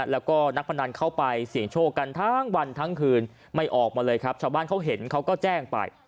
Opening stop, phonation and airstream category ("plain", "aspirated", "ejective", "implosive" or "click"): plain